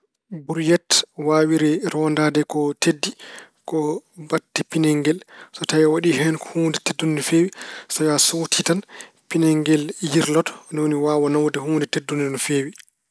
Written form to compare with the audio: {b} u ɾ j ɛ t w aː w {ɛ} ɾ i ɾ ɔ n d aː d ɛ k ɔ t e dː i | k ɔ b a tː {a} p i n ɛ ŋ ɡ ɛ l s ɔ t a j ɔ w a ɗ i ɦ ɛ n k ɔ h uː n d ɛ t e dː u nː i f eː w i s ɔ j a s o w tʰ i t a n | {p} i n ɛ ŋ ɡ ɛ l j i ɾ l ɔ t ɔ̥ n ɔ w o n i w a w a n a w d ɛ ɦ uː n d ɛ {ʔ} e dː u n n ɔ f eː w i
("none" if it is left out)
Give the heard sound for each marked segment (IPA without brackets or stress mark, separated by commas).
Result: b, i, i, p, t